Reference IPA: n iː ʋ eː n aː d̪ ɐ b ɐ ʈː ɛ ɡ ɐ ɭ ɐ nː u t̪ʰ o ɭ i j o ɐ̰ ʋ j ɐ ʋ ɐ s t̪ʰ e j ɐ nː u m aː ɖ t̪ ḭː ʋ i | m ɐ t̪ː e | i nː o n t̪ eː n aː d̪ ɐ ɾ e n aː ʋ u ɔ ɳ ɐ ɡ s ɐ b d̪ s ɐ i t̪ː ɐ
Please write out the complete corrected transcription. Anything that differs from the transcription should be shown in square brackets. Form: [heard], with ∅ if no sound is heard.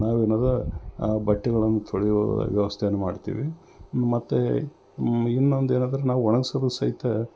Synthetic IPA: n [aː] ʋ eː n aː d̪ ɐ b ɐ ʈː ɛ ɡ ɐ ɭ ɐ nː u t̪ʰ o ɭ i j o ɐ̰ ʋ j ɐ ʋ ɐ s t̪ʰ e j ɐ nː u m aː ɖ t̪ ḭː ʋ i | m ɐ t̪ː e | i nː o n [d̪] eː n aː d̪ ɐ ɾ e n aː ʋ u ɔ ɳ ɐ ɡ s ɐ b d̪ s ɐ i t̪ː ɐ

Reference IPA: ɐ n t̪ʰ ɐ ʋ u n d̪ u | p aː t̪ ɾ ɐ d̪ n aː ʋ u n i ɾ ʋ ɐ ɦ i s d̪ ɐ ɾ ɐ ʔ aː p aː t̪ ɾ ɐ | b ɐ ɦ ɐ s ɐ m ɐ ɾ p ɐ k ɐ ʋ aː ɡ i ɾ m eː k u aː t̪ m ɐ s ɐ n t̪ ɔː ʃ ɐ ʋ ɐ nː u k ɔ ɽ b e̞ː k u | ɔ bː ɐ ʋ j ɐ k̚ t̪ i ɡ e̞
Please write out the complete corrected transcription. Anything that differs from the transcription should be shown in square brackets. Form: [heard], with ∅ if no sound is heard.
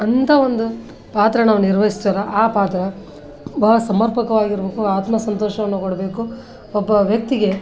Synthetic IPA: ɐ n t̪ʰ ɐ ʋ [o] n d̪ u | p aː t̪ ɾ ɐ [∅] n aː ʋ u n i ɾ ʋ ɐ ɦ i s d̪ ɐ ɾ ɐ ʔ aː p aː t̪ ɾ ɐ | b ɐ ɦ ɐ s ɐ m ɐ ɾ p ɐ k ɐ ʋ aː ɡ i ɾ [b] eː k u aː t̪ m ɐ s ɐ n t̪ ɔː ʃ ɐ ʋ ɐ nː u k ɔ ɽ b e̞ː k u | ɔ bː ɐ ʋ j ɐ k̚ t̪ i ɡ e̞

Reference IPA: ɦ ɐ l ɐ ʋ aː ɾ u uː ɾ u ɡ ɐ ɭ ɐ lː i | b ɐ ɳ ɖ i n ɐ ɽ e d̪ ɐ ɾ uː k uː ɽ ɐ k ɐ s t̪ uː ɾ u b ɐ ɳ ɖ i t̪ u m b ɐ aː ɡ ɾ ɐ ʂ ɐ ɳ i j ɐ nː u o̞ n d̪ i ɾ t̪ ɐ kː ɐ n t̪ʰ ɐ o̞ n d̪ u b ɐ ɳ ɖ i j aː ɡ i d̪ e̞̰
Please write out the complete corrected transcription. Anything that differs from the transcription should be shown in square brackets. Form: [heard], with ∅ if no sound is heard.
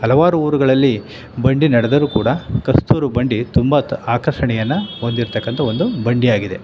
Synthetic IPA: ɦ ɐ l ɐ ʋ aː ɾ u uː ɾ u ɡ ɐ ɭ ɐ lː i | b ɐ ɳ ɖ i n ɐ ɽ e d̪ ɐ ɾ uː k uː ɽ ɐ k ɐ s t̪ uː ɾ u b ɐ ɳ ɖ i t̪ u m b ɐ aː [k] ɾ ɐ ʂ ɐ ɳ [ɛ] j ɐ nː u o̞ n d̪ i ɾ t̪ ɐ kː ɐ n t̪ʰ ɐ o̞ n d̪ u b ɐ ɳ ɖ i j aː ɡ i d̪ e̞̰

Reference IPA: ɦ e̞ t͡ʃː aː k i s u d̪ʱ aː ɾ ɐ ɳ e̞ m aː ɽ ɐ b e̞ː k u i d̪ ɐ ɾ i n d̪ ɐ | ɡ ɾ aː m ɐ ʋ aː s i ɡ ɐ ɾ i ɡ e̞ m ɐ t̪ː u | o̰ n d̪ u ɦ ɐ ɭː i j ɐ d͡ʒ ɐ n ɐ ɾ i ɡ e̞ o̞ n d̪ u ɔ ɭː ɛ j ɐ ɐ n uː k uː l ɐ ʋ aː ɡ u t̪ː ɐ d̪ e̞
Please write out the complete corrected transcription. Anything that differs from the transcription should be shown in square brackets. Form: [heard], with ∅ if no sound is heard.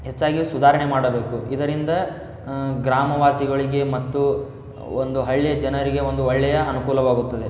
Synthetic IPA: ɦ e̞ t͡ʃː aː [ɡ] i s u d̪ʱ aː ɾ ɐ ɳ e̞ m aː ɽ ɐ b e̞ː k u i d̪ ɐ ɾ i n d̪ ɐ | ɡ ɾ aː m ɐ ʋ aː s i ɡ ɐ [ɭ] i ɡ e̞ m ɐ t̪ː u | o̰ n d̪ u ɦ ɐ ɭː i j ɐ d͡ʒ ɐ n ɐ ɾ i ɡ e̞ o̞ n d̪ u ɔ ɭː ɛ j ɐ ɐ n [u] k uː l ɐ ʋ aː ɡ u t̪ː ɐ d̪ e̞

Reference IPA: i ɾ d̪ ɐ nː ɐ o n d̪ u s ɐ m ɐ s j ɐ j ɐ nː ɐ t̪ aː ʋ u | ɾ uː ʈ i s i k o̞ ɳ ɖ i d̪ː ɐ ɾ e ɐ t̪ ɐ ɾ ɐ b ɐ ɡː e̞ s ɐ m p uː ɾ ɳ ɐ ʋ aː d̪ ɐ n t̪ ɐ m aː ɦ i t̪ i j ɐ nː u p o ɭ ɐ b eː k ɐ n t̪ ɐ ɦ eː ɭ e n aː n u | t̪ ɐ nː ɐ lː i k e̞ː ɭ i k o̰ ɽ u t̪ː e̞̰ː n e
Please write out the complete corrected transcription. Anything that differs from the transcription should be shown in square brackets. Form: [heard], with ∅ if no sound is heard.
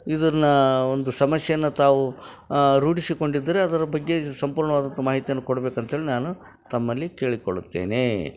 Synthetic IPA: i [∅] d̪ ɐ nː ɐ o n d̪ u s ɐ m ɐ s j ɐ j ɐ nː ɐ t̪ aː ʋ u | ɾ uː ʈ i s i k o̞ ɳ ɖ i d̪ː ɐ ɾ e ɐ [d̪] ɐ ɾ ɐ b ɐ ɡː e̞ s ɐ m p uː ɾ ɳ ɐ ʋ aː d̪ ɐ n t̪ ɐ m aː ɦ i t̪ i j ɐ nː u [k] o [ɽ] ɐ b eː k ɐ n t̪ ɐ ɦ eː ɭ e n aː n u | t̪ ɐ [mː] ɐ lː i k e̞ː ɭ i k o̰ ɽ u t̪ː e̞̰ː n e

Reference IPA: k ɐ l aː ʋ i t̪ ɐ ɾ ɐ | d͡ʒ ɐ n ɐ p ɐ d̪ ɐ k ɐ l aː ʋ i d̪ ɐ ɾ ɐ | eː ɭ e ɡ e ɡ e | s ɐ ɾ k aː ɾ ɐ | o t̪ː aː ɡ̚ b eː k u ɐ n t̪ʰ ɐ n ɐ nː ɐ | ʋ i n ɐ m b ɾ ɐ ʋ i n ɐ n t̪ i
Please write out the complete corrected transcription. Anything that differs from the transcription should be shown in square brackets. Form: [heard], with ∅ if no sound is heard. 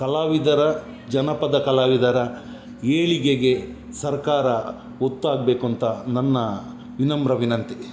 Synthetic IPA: k ɐ l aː ʋ i [d̪] ɐ ɾ ɐ | d͡ʒ ɐ n ɐ p ɐ d̪ ɐ k ɐ l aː ʋ i d̪ ɐ ɾ ɐ | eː ɭ [i] ɡ e ɡ e | s ɐ ɾ k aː ɾ ɐ | o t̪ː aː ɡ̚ b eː k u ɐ n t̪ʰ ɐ n ɐ nː ɐ | ʋ i n ɐ m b ɾ ɐ ʋ i n ɐ n t̪ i

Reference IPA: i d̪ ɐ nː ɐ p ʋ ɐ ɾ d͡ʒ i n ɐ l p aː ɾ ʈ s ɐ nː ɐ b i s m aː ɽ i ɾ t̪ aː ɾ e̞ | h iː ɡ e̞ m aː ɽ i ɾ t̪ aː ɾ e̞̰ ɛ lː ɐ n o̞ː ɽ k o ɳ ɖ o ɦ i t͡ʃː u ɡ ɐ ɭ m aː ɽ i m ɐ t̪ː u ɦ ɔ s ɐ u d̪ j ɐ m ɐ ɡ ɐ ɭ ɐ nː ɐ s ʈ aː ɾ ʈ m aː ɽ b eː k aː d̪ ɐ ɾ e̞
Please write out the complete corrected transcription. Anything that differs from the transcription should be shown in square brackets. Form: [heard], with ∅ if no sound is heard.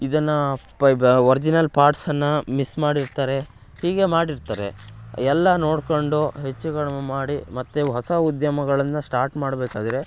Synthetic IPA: i d̪ ɐ nː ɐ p ʋ ɐ ɾ d͡ʒ i n ɐ l p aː ɾ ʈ s ɐ nː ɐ [m] i s m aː ɽ i ɾ t̪ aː ɾ e̞ | h iː ɡ e̞ m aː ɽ i ɾ t̪ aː ɾ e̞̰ ɛ lː ɐ n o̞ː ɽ k o ɳ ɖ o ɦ [e] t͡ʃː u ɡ ɐ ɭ m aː ɽ i m ɐ t̪ː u ɦ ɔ s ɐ u d̪ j ɐ m ɐ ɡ ɐ ɭ ɐ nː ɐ s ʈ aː ɾ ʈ m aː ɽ b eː k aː d̪ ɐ ɾ e̞

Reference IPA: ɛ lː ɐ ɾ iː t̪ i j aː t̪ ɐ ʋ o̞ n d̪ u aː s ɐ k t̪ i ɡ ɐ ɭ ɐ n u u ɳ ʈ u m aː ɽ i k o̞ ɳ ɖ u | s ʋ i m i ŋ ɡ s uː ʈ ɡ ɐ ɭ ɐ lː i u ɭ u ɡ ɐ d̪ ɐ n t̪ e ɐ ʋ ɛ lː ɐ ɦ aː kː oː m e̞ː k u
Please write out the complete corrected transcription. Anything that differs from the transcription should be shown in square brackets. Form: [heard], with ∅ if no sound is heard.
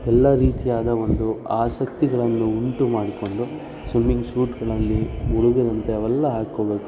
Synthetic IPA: ɛ lː ɐ ɾ iː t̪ i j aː [d̪] ɐ ʋ o̞ n d̪ u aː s ɐ k t̪ i ɡ ɐ ɭ ɐ [nː] u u ɳ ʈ u m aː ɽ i k o̞ ɳ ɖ u | s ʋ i m i ŋ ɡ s uː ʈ ɡ ɐ ɭ ɐ lː i u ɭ u ɡ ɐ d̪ ɐ n t̪ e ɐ ʋ ɛ lː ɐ ɦ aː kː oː [b] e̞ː k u

